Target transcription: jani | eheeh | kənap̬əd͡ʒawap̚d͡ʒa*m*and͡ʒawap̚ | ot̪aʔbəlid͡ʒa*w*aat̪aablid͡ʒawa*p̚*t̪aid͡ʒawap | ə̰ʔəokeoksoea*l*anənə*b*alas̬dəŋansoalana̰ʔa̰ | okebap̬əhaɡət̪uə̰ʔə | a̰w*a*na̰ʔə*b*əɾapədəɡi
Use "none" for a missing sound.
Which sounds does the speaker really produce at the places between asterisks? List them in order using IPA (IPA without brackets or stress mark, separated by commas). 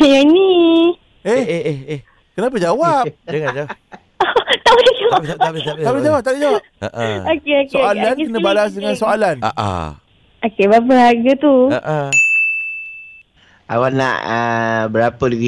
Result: ŋ, w, p̚, l, b, a, b